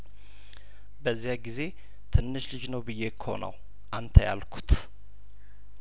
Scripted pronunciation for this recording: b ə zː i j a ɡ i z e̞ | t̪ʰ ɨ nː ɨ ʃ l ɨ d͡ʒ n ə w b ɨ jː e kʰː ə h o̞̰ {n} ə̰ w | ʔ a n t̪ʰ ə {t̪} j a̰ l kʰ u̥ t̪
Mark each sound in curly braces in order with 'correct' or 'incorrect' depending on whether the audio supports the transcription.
correct, incorrect: none

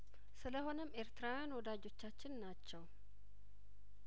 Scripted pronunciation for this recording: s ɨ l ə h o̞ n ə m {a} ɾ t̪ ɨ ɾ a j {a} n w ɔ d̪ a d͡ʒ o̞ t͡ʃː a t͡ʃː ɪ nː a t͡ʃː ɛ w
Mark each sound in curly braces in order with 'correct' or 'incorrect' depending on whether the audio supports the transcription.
incorrect: e, correct

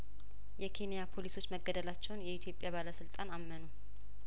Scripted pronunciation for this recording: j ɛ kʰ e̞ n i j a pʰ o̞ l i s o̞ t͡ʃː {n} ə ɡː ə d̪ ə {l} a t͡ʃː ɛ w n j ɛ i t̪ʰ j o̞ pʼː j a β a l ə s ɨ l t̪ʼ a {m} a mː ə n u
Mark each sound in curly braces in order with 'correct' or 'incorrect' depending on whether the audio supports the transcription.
incorrect: m, correct, incorrect: n

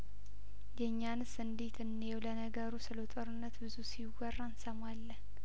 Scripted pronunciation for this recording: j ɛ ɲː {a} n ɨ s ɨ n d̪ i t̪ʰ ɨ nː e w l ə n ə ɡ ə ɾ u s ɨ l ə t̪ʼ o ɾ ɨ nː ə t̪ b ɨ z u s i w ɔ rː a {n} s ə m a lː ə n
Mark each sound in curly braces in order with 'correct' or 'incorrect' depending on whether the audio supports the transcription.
correct, correct

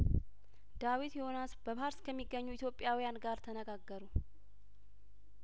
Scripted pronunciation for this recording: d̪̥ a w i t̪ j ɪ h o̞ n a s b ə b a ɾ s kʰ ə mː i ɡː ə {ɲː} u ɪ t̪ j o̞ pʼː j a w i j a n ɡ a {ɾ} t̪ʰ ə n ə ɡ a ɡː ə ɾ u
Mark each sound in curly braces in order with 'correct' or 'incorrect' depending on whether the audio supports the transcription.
correct, correct

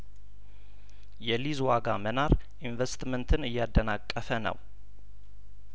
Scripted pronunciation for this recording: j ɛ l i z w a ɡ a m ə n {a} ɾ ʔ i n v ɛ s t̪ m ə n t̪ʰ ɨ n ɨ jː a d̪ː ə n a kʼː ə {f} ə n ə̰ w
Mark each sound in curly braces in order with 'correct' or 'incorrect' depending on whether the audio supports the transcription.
correct, correct

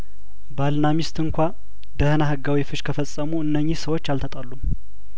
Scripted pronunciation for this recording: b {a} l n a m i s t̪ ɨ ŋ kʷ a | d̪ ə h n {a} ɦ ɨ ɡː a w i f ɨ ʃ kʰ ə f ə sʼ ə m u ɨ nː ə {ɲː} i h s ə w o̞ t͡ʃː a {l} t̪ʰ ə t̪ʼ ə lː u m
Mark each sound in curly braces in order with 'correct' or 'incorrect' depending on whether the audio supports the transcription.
correct, correct, correct, correct

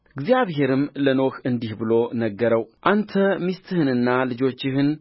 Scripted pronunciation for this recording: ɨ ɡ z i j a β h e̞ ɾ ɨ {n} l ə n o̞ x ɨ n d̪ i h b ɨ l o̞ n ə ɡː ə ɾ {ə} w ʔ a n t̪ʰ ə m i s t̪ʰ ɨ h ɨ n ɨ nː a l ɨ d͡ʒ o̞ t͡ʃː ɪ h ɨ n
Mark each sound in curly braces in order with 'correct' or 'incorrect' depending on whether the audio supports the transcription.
incorrect: m, correct

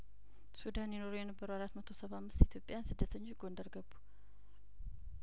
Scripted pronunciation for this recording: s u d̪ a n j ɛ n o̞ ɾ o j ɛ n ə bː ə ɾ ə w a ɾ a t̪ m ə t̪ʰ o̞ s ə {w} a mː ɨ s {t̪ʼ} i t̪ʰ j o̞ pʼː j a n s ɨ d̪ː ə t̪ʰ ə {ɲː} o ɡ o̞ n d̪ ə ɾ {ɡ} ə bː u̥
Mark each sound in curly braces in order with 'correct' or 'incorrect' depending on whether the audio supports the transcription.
incorrect: β, incorrect: t̪, correct, correct

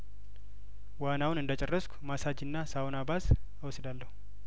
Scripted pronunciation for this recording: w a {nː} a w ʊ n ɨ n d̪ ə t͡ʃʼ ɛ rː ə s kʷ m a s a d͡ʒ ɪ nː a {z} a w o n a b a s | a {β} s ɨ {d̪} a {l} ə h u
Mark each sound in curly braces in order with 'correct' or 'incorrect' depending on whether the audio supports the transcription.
incorrect: n, incorrect: s, incorrect: w, correct, incorrect: lː

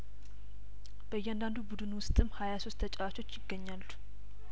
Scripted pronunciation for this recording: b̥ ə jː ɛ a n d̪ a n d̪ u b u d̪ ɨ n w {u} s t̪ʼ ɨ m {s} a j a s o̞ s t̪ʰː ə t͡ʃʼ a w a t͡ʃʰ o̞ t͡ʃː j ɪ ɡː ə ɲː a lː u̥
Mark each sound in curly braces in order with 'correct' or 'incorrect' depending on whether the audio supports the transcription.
incorrect: ʊ, incorrect: h

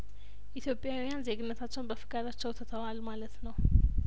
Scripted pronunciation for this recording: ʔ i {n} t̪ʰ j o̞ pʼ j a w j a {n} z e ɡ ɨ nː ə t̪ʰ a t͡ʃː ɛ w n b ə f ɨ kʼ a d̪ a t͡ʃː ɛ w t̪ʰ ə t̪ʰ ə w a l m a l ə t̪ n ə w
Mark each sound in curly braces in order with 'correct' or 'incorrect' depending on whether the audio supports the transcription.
incorrect: none, correct

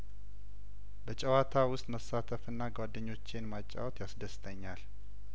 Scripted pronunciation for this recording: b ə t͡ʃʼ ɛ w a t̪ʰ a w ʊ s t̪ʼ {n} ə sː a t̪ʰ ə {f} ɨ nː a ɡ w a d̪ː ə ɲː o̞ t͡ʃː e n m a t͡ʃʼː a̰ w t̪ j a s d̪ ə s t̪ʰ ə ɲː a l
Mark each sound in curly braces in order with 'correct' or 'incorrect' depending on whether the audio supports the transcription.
incorrect: m, correct

